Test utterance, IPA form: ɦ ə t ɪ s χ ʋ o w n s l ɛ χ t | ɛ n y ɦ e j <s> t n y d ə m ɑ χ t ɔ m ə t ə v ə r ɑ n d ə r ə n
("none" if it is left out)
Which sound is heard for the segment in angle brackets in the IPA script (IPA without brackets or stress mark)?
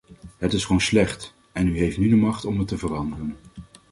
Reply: f